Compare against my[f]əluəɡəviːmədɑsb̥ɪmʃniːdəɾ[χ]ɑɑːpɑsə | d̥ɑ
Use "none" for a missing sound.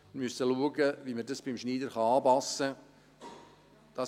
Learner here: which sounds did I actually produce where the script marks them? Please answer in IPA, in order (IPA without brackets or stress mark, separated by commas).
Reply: s, χ